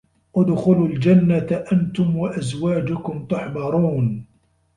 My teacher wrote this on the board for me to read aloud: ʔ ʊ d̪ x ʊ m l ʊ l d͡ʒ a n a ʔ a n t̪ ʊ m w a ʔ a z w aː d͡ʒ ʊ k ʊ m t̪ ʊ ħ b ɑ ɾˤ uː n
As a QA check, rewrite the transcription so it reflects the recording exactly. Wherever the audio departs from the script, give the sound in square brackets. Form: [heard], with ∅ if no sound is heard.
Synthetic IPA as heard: ʔ ʊ d̪ x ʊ [∅] l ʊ l d͡ʒ a [nː] a ʔ a n t̪ ʊ m w a ʔ a z w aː d͡ʒ ʊ k ʊ m t̪ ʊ ħ b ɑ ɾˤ uː n